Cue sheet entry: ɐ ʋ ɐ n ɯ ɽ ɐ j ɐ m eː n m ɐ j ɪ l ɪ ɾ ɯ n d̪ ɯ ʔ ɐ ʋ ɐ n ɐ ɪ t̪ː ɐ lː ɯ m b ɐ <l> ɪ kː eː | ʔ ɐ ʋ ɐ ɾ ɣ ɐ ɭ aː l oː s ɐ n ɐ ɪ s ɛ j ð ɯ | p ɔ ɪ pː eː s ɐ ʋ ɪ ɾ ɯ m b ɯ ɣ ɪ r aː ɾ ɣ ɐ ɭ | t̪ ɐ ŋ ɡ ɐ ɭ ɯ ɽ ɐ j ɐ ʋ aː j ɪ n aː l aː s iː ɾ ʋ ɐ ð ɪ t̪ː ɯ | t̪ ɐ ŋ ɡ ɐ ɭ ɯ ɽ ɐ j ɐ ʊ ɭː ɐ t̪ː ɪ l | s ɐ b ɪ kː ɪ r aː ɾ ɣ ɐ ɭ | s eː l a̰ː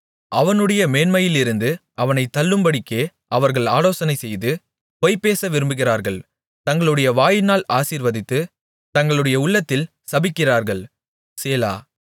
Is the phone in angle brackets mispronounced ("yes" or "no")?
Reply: yes